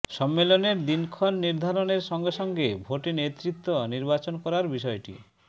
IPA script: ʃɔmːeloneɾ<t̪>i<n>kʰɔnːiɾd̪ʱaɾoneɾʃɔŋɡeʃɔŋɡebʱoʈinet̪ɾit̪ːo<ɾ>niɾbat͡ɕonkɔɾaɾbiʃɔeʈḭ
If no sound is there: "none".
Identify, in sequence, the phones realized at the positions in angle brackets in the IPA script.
d̪, n, none

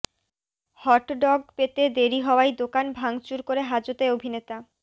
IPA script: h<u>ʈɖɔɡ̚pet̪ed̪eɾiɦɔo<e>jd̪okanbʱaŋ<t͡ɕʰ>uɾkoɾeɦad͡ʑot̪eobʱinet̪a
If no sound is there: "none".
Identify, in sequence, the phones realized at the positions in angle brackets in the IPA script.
ɔ, a, t͡ɕ

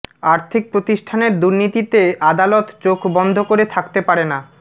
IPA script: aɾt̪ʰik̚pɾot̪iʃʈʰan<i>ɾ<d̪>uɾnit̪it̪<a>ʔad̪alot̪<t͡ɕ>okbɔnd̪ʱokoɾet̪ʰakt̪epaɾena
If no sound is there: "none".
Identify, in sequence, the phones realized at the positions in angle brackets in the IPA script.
e, d̪, e, t͡ɕ

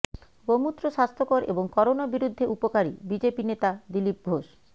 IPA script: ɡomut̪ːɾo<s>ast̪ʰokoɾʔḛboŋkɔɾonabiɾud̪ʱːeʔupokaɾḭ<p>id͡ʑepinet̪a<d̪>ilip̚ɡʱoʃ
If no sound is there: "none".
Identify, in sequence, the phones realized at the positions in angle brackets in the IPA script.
ʃ, b, d̪

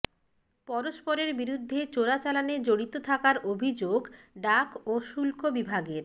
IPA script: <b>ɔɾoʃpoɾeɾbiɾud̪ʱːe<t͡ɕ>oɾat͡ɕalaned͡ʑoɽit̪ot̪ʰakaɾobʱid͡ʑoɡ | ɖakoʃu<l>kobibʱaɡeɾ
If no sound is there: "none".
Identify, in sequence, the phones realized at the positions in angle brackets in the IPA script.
p, t͡ɕ, l

